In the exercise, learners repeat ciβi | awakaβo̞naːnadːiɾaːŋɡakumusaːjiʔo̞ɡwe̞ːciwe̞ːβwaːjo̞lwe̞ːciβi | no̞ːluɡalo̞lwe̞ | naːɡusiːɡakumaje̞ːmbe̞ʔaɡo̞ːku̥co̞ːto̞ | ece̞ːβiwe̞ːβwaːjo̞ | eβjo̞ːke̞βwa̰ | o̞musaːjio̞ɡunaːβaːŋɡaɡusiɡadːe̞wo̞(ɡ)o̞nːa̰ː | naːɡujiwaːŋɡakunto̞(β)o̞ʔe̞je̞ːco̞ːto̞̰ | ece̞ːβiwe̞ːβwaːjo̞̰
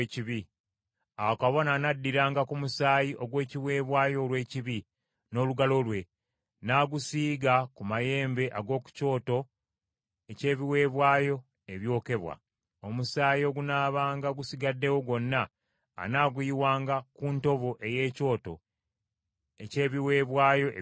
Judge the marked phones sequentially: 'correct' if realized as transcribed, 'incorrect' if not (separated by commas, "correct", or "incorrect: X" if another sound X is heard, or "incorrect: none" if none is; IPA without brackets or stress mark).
correct, correct